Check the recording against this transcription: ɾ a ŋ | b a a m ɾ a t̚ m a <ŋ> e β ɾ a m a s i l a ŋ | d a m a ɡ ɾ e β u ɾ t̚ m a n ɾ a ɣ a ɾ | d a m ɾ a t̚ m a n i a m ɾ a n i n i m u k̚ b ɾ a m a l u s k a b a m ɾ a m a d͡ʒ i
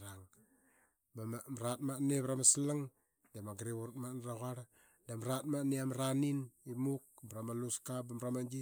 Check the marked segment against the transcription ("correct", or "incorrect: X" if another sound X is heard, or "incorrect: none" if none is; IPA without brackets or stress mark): incorrect: n